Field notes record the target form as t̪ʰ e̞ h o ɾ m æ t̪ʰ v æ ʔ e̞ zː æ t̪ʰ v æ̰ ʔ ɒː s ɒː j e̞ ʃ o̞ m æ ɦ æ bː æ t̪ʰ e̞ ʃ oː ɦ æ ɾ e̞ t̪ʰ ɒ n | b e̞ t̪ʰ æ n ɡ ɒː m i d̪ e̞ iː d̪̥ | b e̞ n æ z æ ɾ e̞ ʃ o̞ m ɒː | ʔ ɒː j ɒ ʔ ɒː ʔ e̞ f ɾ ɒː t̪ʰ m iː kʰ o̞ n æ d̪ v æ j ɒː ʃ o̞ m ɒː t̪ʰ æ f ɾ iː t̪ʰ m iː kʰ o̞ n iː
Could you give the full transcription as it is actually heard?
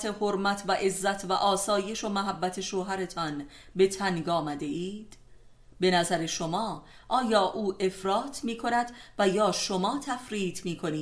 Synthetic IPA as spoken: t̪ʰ e̞ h o ɾ m æ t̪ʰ v æ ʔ e̞ zː æ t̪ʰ v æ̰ ʔ ɒː s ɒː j e̞ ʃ o̞ m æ ɦ æ bː æ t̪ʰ e̞ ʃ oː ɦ æ ɾ e̞ t̪ʰ ɒ n | b e̞ t̪ʰ æ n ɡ ɒː m æ d̪ e̞ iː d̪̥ | b e̞ n æ z æ ɾ e̞ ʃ o̞ m ɒː | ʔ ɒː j ɒː ʔ uː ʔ e̞ f ɾ ɒː t̪ʰ m iː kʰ o̞ n æ d̪ v æ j ɒː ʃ o̞ m ɒː t̪ʰ æ f ɾ iː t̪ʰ m iː kʰ o̞ n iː